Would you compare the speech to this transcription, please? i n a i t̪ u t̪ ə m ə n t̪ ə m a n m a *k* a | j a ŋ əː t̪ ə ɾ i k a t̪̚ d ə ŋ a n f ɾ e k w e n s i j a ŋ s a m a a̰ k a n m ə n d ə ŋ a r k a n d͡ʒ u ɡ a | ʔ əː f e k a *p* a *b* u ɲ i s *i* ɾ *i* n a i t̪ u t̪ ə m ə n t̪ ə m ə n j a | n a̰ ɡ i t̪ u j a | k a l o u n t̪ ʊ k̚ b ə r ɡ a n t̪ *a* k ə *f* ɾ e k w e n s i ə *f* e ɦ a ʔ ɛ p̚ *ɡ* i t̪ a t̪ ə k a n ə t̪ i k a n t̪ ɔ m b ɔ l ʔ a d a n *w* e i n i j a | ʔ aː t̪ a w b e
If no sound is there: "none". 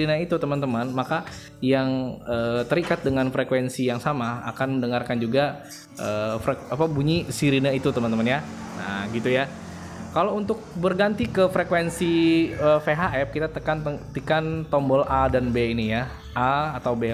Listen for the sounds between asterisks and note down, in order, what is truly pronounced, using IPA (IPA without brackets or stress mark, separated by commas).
k, p, b, i, i, i, f, f, k, b